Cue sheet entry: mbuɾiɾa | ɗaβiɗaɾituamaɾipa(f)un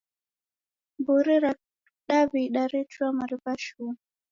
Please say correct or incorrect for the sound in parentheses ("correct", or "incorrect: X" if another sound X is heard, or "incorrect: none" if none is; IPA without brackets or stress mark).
incorrect: ʃ